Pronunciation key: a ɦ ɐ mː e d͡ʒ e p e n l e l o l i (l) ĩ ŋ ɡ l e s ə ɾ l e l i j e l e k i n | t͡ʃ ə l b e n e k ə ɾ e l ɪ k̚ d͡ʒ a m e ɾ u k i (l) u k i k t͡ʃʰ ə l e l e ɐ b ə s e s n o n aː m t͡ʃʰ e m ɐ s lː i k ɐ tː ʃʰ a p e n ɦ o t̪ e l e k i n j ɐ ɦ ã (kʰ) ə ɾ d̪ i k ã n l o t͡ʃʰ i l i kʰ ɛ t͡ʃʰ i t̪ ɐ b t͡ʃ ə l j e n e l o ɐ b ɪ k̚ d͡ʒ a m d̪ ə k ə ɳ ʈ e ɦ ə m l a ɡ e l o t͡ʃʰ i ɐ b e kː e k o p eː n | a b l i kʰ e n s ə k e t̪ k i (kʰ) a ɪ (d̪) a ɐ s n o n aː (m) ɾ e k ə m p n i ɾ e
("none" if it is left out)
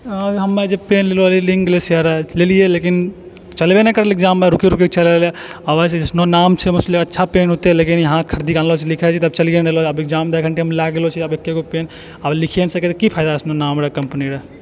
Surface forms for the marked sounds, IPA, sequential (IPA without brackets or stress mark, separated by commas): l, ɾ, kʰ, pʰ, d̪, m